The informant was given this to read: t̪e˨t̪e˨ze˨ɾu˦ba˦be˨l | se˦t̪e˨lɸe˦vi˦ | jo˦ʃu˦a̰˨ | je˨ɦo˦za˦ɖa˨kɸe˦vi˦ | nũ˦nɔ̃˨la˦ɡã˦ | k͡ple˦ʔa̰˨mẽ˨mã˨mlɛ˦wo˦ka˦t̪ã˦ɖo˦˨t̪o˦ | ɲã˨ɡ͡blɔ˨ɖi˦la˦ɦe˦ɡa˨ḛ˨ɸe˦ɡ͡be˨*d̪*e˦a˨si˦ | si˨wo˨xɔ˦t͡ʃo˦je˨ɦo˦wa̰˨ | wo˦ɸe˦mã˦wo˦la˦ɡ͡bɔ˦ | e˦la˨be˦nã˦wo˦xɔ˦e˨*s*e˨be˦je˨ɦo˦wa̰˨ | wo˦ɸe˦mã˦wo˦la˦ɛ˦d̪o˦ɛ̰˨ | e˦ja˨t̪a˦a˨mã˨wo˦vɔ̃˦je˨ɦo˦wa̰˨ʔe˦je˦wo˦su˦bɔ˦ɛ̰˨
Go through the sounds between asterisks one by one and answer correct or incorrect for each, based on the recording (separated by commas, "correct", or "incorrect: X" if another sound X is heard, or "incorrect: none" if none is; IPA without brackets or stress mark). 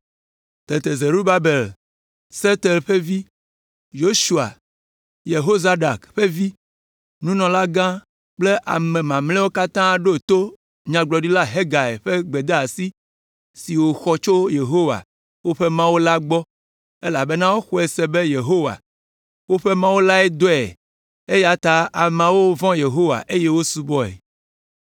correct, correct